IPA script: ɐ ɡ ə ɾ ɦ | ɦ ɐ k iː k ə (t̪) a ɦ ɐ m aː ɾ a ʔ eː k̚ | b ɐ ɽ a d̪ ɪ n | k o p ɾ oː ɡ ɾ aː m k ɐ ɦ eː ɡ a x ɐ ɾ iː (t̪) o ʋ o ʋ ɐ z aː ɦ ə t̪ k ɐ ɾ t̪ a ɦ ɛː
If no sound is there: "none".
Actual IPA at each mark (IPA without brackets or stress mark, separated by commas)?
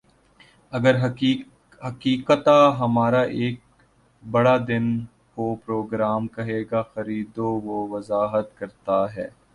t̪, d̪